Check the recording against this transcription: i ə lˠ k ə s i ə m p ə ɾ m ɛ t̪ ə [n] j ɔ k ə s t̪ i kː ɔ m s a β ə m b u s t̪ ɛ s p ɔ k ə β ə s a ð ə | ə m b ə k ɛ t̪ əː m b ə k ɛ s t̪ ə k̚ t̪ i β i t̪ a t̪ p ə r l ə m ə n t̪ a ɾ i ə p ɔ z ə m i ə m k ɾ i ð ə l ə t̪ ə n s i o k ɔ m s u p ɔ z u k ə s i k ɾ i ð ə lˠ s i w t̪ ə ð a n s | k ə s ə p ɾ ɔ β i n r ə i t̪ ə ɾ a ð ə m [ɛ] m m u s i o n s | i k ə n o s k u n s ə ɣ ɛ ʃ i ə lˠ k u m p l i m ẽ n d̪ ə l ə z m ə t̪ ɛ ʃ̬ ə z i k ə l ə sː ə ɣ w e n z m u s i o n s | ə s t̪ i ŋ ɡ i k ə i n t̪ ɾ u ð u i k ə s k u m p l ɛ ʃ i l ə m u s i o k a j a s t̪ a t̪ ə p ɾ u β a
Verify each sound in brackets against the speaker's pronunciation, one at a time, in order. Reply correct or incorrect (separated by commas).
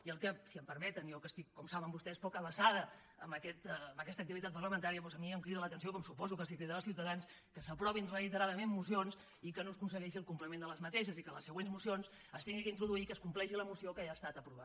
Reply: correct, incorrect